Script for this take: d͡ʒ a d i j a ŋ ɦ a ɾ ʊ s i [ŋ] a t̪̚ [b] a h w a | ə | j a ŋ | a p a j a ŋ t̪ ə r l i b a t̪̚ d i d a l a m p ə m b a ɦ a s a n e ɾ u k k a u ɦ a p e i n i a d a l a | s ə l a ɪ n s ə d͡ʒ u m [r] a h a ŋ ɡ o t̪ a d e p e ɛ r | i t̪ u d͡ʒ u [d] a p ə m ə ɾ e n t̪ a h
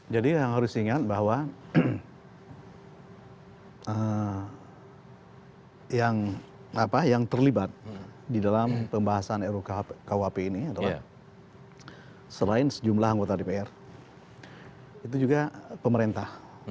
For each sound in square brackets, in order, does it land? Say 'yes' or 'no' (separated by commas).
yes, yes, no, no